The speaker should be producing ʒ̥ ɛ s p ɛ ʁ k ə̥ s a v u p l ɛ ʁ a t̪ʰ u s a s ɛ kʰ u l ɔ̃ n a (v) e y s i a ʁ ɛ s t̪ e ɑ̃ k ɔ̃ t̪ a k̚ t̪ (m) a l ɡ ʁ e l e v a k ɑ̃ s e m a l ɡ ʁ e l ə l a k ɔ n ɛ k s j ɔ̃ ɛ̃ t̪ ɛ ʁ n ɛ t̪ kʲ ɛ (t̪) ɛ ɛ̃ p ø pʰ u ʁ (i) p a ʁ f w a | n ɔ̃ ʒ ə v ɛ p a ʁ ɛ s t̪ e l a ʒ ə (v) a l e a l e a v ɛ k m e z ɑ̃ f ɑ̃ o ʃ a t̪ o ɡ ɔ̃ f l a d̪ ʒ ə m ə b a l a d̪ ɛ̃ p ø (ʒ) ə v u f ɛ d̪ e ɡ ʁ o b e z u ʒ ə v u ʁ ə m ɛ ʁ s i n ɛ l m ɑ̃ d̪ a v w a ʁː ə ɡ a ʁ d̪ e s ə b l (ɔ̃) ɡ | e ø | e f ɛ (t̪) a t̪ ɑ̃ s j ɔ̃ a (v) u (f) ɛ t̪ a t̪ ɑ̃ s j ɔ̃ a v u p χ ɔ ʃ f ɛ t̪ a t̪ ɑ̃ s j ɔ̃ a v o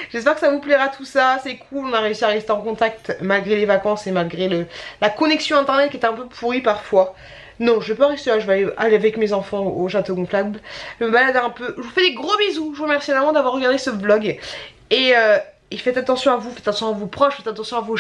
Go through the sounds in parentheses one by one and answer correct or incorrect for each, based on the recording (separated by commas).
incorrect, correct, correct, correct, correct, correct, incorrect, correct, correct, correct